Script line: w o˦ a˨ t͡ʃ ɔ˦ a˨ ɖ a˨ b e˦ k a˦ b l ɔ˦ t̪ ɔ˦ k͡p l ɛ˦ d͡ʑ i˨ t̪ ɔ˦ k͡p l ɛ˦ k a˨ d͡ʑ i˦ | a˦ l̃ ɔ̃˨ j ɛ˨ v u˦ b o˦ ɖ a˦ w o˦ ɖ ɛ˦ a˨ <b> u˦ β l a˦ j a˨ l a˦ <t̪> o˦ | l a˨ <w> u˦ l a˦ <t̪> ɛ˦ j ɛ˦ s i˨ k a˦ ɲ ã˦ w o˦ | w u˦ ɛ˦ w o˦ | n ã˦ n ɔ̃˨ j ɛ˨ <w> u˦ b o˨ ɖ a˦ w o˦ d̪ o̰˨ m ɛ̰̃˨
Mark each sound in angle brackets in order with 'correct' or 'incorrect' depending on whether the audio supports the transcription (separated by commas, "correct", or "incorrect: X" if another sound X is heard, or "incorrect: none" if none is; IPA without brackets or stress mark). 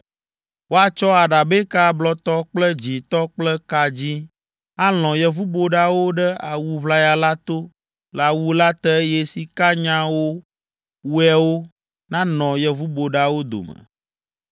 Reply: incorrect: w, correct, correct, correct, incorrect: v